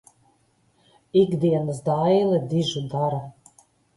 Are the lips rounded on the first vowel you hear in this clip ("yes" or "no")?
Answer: no